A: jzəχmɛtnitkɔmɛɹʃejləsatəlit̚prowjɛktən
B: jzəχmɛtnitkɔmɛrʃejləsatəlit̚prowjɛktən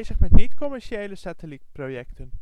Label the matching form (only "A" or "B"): A